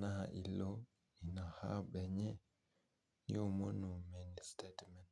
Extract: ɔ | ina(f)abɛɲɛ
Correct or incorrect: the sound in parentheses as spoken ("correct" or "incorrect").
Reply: incorrect